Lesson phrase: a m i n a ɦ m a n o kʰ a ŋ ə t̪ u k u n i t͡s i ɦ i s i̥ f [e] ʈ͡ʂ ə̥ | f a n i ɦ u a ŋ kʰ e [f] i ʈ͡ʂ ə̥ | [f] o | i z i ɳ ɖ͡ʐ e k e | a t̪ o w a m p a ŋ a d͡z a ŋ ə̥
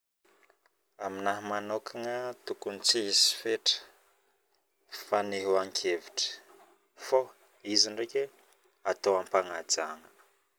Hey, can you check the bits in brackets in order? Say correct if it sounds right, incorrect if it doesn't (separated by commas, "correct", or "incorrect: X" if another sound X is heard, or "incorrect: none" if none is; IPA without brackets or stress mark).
correct, incorrect: v, correct